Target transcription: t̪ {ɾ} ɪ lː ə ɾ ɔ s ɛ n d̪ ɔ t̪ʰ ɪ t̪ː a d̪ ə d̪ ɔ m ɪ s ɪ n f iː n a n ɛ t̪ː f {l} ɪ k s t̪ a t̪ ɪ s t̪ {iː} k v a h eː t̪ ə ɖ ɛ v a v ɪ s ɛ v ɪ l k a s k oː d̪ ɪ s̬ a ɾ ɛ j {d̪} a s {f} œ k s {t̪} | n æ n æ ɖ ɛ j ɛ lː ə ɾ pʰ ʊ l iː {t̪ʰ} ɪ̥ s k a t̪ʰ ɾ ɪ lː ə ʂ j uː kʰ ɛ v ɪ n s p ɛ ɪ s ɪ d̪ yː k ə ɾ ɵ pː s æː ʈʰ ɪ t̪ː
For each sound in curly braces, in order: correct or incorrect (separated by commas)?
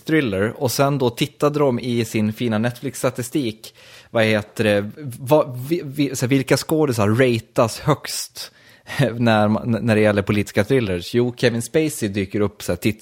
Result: correct, correct, correct, incorrect, incorrect, correct, incorrect